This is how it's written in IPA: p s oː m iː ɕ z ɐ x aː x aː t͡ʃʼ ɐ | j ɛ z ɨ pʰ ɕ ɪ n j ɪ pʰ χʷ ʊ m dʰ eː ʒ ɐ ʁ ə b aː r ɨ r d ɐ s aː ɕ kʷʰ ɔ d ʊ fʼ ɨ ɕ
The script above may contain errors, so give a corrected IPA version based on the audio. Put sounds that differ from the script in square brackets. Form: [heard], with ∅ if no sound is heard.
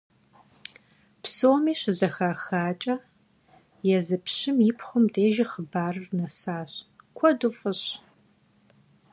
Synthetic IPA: p s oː m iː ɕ z ɐ x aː x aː t͡ʃʼ ɐ | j ɛ z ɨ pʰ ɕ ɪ [m] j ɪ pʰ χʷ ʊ m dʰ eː ʒ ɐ [χ] ə b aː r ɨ r [n] ɐ s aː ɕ kʷʰ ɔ d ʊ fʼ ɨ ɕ